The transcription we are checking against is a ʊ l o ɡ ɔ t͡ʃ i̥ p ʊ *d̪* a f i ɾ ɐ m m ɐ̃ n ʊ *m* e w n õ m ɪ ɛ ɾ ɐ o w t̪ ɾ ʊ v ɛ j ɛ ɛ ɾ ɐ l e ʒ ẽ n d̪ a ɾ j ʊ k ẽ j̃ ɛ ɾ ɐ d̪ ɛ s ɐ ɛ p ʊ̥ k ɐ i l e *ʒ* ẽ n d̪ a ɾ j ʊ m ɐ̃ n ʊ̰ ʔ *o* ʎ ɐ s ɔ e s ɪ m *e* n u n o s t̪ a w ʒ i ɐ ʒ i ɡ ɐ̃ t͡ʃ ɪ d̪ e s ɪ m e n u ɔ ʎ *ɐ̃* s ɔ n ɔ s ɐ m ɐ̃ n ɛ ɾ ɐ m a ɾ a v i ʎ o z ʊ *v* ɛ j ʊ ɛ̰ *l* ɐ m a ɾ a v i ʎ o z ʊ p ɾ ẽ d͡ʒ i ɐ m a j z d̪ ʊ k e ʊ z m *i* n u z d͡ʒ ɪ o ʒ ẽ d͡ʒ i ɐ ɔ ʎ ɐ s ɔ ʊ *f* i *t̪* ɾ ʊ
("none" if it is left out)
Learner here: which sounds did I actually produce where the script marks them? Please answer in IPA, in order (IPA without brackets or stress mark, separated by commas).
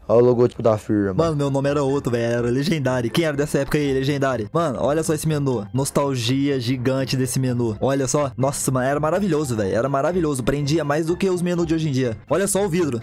d̪, m, ʒ, ɔ, e, ɐ, v, ɾ, e, v, d̪